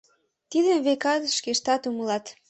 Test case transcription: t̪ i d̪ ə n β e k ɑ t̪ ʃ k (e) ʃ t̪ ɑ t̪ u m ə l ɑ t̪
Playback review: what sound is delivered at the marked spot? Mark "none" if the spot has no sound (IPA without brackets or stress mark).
e